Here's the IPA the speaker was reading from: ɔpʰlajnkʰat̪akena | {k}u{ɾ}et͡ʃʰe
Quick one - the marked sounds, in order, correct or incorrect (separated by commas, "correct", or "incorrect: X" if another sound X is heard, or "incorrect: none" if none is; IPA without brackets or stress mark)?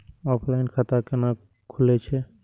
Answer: incorrect: kʰ, incorrect: l